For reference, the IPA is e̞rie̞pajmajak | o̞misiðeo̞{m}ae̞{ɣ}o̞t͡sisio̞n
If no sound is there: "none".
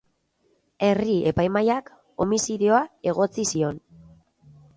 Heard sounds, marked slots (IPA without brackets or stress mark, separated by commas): none, ɣ